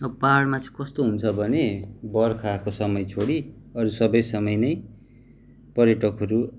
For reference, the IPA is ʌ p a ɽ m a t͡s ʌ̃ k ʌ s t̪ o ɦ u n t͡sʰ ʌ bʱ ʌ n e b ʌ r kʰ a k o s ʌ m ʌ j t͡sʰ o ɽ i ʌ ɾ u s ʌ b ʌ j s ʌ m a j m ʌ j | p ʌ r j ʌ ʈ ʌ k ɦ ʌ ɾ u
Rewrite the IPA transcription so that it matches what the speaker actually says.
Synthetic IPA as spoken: ʌ p a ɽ m a t͡s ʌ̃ k ʌ s t̪ o ɦ u n t͡sʰ ʌ bʱ ʌ n e b ʌ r kʰ a k o s ʌ m ʌ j t͡sʰ o ɽ i ʌ ɾ u s ʌ b ʌ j s ʌ m ʌ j n ʌ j | p ʌ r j ʌ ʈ ʌ k ɦ ʌ ɾ u